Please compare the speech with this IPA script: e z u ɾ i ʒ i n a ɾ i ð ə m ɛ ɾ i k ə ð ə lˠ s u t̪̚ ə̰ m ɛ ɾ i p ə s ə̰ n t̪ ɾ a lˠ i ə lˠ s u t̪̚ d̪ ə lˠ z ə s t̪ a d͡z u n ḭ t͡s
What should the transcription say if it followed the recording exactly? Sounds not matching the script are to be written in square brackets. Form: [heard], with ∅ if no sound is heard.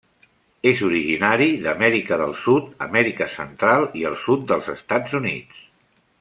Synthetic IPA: e z u ɾ i ʒ i n a ɾ i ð ə m ɛ ɾ i k ə ð ə lˠ s u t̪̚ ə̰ m ɛ ɾ i [k] ə s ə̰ n t̪ ɾ a lˠ i ə lˠ s u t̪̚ d̪ ə lˠ z ə s t̪ a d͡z u n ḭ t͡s